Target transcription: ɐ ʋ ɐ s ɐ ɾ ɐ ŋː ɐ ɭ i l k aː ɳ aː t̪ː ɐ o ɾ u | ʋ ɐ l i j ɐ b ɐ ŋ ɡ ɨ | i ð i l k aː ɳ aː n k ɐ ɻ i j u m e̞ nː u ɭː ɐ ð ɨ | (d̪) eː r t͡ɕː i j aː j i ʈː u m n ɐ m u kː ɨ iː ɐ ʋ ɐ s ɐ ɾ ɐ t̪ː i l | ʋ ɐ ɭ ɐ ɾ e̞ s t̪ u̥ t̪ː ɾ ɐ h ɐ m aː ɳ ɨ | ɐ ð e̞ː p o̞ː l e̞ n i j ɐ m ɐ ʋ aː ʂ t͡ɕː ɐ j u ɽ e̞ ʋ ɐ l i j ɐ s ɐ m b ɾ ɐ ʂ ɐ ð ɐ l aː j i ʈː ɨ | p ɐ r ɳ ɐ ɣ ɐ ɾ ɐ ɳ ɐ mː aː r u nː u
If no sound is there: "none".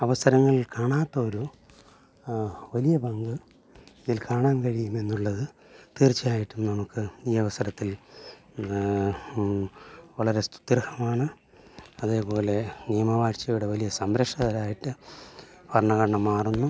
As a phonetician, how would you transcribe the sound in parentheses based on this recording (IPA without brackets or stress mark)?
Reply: t̪